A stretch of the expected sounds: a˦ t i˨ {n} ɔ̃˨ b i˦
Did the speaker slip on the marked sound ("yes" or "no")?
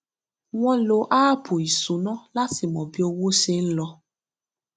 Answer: yes